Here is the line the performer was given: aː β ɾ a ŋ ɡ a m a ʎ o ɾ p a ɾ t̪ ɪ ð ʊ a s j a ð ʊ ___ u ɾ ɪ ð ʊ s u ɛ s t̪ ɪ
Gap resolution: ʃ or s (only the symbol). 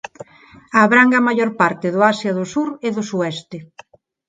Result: s